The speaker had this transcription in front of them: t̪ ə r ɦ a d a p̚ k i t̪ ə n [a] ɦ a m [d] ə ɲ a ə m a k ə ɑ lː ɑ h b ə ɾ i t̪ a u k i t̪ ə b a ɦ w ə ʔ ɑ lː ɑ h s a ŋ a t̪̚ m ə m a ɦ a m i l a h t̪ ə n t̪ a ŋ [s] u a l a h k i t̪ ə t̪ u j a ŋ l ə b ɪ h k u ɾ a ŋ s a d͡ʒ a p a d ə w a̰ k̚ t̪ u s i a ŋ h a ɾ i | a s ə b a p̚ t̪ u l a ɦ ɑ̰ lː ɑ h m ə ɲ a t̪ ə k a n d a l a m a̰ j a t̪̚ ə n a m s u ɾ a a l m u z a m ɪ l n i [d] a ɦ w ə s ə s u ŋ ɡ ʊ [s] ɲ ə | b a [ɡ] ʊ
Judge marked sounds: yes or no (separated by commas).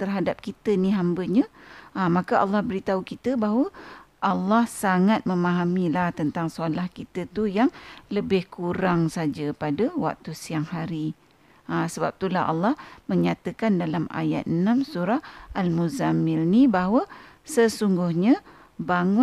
no, no, yes, no, no, no